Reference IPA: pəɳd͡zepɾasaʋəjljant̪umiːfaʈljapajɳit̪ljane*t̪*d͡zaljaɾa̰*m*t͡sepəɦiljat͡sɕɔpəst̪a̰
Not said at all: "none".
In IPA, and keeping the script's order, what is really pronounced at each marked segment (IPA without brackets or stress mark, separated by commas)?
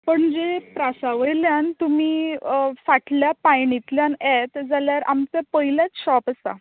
t̪, m